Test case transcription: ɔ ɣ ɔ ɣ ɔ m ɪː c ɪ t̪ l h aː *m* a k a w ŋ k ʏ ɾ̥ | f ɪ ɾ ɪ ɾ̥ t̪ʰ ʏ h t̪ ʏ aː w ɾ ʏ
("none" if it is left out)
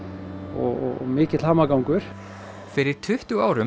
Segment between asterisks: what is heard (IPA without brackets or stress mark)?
m